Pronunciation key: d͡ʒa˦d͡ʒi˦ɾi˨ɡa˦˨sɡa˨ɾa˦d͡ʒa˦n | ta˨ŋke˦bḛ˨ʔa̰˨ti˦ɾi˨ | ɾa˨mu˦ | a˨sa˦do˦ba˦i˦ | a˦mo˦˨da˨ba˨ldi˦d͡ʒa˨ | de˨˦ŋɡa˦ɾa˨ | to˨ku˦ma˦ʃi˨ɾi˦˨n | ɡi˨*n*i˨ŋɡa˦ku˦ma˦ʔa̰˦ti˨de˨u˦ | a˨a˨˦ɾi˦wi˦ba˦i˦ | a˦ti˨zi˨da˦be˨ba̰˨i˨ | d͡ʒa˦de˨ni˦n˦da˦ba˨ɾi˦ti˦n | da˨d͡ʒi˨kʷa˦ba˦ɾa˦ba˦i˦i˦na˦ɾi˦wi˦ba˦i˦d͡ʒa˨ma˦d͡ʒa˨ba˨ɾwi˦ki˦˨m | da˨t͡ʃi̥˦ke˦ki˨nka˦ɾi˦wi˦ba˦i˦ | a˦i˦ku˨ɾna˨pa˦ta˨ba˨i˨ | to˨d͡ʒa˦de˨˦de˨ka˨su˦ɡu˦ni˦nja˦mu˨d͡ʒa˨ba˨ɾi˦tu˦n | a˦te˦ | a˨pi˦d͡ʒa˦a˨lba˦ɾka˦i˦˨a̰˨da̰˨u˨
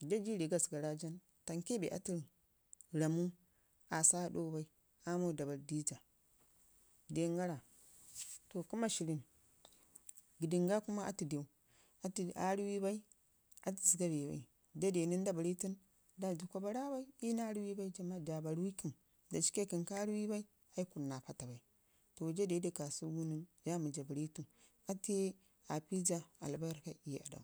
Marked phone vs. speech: incorrect: d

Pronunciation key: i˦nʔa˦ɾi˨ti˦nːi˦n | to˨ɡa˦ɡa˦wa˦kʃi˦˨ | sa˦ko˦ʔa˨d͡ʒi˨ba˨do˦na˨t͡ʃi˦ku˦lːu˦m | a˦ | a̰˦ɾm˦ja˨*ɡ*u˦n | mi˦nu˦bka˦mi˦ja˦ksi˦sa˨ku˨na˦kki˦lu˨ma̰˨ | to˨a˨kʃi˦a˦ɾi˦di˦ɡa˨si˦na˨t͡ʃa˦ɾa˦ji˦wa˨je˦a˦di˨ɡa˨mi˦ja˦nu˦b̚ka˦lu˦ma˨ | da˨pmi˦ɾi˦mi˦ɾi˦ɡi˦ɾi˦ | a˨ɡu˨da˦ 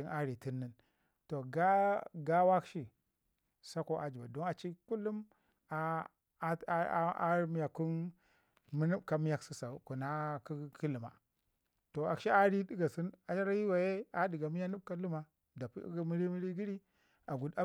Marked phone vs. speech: incorrect: k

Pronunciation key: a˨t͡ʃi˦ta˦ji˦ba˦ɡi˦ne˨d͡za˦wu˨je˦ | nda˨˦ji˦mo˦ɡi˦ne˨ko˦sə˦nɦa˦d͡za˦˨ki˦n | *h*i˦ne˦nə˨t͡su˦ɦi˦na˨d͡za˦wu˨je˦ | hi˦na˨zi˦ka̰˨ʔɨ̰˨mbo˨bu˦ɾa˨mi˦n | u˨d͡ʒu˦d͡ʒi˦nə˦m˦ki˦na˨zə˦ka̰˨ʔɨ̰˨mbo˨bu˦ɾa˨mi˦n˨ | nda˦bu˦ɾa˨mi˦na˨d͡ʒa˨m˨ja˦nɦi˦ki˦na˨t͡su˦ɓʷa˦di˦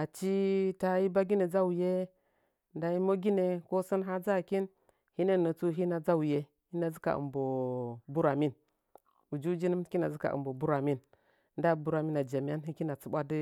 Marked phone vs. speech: correct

